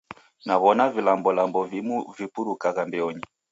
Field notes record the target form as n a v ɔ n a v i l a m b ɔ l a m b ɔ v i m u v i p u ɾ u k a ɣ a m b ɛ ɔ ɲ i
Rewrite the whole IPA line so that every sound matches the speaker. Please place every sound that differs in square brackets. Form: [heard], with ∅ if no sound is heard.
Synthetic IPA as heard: n a [β] ɔ n a v i l a m b ɔ l a m b ɔ v i m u v i p u ɾ u k a ɣ a m b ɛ ɔ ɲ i